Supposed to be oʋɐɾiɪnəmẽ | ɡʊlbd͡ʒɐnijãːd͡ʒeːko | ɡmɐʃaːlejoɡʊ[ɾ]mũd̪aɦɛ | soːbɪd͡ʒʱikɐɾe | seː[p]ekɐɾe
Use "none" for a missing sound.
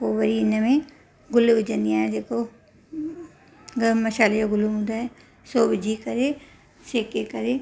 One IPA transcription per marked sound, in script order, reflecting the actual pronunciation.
l, k

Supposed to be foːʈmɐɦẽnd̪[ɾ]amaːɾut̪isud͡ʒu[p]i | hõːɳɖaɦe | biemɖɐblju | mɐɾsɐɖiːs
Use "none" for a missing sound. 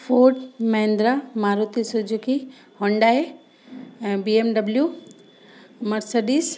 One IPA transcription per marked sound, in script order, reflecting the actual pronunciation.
ɾ, k

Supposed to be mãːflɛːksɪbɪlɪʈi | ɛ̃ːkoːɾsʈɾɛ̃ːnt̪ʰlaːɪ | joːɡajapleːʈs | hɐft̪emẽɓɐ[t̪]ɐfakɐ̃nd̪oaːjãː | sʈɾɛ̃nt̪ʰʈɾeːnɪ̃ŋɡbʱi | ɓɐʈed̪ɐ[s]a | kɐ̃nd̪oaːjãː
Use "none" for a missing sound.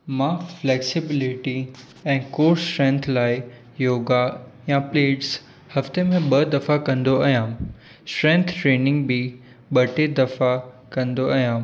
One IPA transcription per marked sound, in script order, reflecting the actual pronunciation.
d̪, f

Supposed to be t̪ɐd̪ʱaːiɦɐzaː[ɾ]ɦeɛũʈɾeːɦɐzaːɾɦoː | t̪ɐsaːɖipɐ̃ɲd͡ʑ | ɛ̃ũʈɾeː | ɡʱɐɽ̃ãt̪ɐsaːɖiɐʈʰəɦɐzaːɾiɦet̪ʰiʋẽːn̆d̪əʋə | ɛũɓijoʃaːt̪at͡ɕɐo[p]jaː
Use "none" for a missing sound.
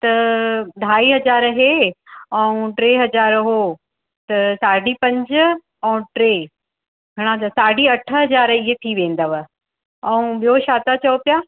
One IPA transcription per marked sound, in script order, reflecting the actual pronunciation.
ɾ, p

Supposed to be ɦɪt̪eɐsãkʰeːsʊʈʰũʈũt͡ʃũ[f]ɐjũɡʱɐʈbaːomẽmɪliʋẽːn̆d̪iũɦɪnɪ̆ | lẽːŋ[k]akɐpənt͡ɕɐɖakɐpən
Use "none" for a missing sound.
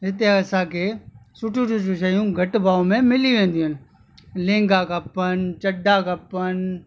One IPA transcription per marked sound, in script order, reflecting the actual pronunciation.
ʃ, ɡ

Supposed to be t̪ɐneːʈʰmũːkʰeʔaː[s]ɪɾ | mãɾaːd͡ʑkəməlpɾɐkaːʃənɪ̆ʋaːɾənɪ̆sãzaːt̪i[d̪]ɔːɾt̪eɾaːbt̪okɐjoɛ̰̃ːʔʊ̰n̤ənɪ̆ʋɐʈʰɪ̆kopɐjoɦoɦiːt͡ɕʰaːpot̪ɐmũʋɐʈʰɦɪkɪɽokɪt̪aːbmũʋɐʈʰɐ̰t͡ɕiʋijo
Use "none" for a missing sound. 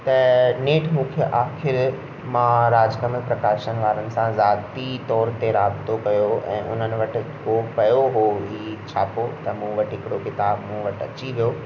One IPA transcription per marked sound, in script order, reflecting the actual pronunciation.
x, t̪

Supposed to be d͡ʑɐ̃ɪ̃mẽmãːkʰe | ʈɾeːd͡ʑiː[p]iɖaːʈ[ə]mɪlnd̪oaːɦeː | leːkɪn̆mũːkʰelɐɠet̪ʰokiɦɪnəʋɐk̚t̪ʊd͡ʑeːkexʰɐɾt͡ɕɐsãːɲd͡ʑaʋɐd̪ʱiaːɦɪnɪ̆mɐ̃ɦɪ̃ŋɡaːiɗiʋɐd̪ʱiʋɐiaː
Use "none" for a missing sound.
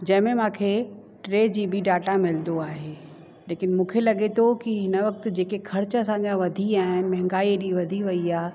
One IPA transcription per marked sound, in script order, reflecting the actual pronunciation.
b, a

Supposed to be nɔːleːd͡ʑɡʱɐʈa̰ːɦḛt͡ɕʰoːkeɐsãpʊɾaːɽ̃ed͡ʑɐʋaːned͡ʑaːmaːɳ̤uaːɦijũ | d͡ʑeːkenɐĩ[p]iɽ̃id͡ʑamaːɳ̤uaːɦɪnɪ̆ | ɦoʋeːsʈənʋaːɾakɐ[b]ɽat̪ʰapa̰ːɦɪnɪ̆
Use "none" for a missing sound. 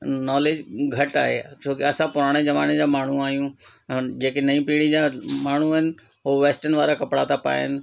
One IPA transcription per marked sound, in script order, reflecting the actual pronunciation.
p, p

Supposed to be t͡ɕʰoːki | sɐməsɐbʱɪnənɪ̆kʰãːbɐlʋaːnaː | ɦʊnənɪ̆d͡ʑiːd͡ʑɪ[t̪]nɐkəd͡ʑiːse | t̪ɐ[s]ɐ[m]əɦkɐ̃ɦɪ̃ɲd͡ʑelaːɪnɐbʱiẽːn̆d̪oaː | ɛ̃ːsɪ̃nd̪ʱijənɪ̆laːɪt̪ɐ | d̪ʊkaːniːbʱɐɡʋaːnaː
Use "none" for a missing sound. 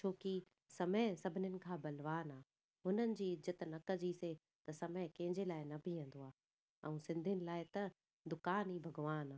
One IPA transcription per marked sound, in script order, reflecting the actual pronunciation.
t̪, s, m

